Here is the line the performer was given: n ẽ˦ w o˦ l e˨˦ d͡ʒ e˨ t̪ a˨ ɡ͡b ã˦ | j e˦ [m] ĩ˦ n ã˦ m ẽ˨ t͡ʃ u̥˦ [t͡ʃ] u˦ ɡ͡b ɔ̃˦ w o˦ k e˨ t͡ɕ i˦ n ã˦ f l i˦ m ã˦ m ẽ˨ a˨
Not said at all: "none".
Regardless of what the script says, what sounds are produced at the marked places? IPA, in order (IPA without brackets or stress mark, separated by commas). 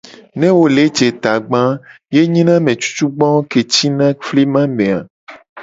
ɲ, t͡ʃ